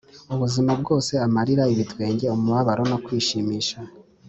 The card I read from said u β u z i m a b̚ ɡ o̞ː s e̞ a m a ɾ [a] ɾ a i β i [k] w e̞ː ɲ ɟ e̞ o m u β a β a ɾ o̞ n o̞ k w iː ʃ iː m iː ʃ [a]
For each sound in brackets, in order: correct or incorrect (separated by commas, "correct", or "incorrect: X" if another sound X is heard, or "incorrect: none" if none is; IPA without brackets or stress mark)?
incorrect: i, incorrect: t, correct